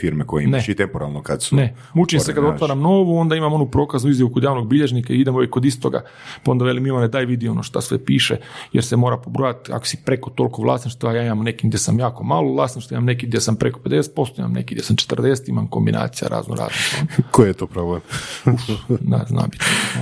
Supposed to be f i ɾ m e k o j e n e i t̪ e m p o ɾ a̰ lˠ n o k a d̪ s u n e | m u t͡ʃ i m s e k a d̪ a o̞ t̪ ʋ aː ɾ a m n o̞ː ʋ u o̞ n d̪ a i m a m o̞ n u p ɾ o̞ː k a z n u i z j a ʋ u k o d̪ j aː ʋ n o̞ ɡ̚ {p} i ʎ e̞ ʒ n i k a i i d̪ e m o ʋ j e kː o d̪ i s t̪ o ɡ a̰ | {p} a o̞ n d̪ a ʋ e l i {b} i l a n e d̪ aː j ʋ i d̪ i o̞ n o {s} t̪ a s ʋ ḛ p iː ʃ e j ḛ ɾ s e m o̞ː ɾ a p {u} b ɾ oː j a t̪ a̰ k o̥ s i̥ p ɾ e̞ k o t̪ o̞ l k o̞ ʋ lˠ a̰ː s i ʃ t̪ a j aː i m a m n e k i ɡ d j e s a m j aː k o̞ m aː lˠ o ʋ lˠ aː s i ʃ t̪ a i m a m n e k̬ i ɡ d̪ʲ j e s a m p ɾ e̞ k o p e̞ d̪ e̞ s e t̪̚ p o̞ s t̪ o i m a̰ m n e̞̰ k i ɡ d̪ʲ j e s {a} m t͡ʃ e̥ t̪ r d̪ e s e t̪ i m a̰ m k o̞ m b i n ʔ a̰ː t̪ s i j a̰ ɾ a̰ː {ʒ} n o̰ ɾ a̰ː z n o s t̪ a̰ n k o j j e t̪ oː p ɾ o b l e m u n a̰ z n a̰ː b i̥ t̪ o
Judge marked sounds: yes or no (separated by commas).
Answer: no, yes, no, no, no, yes, no